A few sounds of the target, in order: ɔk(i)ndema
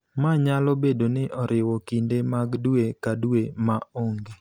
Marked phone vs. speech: correct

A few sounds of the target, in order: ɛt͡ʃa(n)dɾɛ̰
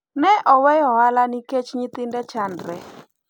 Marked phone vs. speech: correct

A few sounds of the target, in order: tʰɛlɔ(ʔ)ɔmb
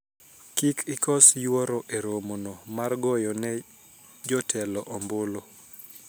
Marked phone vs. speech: correct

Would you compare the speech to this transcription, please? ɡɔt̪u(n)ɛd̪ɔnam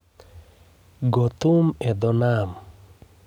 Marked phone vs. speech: incorrect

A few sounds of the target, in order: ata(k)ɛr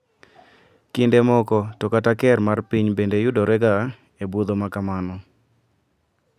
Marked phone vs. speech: correct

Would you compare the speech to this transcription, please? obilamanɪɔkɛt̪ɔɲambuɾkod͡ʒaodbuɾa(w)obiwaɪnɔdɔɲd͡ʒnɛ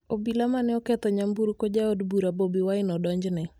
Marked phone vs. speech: incorrect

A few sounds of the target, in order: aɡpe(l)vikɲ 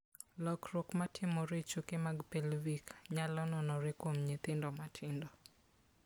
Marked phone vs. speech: correct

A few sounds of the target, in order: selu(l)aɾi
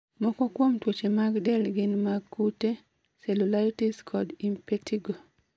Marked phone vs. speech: correct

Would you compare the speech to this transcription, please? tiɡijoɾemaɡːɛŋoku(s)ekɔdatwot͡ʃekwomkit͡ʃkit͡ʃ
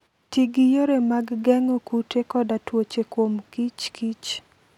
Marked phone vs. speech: incorrect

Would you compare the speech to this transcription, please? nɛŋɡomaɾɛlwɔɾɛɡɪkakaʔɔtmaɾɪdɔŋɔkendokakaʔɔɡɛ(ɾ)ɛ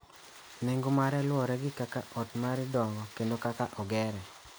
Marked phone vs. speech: correct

